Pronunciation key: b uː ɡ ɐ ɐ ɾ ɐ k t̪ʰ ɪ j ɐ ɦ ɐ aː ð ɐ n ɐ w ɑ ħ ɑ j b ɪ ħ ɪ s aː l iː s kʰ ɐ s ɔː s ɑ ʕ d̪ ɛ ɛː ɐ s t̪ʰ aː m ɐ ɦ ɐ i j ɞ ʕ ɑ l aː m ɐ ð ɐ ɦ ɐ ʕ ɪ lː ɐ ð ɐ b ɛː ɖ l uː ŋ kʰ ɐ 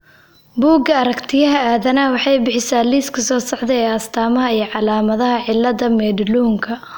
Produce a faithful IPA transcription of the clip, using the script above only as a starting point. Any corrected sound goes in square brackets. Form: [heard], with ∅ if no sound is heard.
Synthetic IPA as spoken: b uː ɡ ɐ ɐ ɾ ɐ k t̪ʰ ɪ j ɐ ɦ ɐ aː ð ɐ n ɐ w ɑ ħ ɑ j b ɪ ħ ɪ s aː l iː s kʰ ɐ s ɔː s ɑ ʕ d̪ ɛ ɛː ɐ s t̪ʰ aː m ɐ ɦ ɐ i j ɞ ʕ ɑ l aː m ɐ ð ɐ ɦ ɐ ʕ ɪ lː ɐ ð ɐ [m] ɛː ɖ l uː ŋ kʰ ɐ